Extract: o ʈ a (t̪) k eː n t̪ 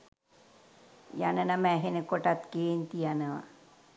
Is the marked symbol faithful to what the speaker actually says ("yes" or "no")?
yes